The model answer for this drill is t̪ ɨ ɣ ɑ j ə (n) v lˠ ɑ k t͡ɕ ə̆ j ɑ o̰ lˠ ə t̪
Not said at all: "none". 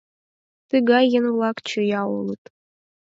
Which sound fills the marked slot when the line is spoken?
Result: n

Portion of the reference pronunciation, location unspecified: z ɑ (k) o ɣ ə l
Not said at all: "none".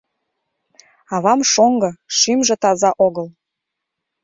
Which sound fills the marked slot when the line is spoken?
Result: ʔ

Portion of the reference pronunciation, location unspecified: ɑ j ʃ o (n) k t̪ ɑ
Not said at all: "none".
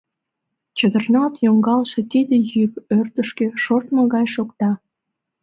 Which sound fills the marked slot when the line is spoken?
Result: none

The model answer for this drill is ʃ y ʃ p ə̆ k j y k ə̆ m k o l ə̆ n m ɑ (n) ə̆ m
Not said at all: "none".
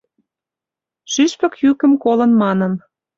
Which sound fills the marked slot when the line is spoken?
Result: n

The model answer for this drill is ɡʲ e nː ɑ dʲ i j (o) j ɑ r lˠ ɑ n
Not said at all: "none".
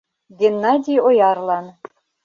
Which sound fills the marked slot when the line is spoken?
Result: o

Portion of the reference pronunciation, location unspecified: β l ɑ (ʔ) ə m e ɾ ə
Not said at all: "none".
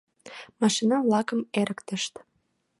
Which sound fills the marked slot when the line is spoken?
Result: k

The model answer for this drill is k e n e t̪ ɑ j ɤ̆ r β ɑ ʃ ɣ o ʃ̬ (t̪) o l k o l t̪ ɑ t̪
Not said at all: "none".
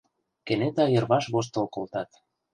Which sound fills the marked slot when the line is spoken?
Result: t̪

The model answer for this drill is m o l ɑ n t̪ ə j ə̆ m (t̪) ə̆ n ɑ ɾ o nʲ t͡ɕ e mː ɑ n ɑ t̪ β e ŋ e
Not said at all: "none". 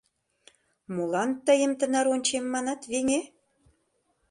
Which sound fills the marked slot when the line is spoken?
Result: t̪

